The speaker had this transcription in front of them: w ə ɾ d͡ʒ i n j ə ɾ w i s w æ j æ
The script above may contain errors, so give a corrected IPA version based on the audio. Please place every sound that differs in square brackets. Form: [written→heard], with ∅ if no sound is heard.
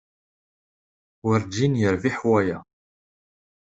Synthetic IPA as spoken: w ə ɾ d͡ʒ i n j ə ɾ [w→v] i [s→ħ] w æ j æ